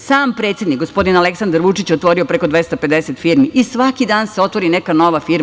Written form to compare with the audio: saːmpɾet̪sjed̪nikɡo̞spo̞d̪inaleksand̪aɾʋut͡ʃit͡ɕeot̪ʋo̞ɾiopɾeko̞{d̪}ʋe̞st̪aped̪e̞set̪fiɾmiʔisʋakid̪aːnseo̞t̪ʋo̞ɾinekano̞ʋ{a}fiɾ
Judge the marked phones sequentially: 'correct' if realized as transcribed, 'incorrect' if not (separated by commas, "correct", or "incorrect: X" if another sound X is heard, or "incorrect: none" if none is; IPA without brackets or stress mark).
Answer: correct, correct